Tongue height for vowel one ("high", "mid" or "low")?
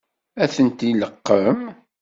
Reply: low